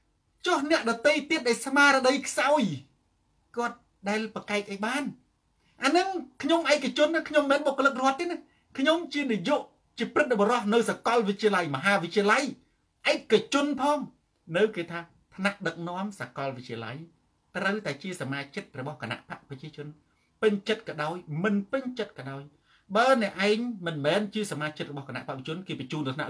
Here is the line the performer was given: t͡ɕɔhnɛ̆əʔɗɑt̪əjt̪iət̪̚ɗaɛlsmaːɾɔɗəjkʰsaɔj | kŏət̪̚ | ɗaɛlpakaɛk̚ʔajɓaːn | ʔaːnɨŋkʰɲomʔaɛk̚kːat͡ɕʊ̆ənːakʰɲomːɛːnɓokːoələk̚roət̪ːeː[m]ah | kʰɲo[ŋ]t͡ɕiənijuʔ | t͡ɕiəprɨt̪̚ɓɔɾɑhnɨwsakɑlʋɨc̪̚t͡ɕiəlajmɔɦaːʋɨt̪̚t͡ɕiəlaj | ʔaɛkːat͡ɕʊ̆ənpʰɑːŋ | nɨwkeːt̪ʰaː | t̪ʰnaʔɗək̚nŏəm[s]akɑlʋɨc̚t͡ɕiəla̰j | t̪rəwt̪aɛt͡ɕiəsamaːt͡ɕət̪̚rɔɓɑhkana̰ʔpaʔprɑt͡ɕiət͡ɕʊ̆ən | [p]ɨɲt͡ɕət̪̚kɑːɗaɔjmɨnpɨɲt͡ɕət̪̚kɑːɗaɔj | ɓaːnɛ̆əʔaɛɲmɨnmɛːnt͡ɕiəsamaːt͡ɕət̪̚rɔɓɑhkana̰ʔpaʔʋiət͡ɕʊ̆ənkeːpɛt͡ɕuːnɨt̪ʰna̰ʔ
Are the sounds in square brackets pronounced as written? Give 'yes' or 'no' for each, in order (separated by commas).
no, no, yes, yes